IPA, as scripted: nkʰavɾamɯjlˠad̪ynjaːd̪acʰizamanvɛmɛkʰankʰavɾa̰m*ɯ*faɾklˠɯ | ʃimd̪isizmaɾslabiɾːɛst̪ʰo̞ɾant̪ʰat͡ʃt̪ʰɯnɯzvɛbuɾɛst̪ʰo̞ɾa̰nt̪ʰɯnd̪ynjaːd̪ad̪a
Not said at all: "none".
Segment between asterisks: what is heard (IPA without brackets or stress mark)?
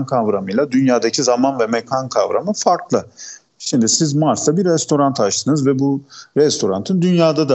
ɯ